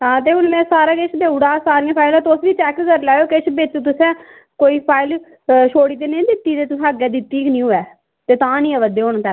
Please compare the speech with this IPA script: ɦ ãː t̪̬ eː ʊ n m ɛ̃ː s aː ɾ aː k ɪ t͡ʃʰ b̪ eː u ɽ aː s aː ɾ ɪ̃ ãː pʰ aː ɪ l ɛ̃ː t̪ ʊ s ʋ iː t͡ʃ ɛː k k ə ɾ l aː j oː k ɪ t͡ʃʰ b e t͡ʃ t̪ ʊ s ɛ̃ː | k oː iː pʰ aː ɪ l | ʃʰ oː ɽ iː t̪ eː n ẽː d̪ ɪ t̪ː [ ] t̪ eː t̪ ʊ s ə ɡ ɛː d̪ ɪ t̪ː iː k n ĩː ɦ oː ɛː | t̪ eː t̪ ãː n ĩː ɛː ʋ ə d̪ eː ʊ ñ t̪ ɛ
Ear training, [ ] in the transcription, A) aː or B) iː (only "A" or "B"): B